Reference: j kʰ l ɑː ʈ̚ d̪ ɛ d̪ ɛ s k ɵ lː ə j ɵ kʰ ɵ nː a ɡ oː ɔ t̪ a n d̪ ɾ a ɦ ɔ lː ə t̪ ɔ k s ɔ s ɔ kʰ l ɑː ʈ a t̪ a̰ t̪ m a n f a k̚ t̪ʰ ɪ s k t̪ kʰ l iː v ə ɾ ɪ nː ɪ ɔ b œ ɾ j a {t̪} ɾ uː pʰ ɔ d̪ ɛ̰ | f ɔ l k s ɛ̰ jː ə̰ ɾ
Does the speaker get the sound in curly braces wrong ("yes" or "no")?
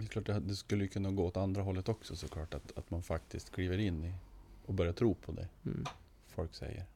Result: yes